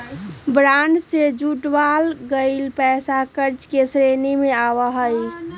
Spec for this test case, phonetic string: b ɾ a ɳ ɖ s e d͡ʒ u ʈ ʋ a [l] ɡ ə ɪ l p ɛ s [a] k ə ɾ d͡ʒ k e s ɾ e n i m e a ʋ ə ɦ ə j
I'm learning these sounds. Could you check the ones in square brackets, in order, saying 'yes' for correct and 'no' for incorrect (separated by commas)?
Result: yes, yes